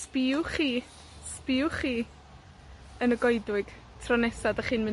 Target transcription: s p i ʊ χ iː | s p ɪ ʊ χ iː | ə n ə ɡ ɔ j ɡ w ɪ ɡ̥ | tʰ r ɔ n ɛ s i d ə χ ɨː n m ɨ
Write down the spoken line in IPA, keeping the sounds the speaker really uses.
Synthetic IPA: s p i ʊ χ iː | s p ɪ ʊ χ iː | ə n ə ɡ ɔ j d w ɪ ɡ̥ | tʰ r ɔ n ɛ s a d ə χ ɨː n m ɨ